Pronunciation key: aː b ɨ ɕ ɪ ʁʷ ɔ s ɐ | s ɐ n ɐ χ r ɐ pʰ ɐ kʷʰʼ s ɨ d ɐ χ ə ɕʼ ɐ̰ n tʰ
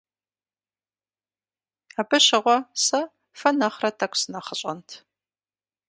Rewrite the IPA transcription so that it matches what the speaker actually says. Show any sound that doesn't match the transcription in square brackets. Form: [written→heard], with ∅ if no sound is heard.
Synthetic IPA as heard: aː b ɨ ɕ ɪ ʁʷ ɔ s ɐ | [s→f] ɐ n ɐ χ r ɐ [pʰ→tʰ] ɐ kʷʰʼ s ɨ [d→n] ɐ χ ə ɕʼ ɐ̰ n tʰ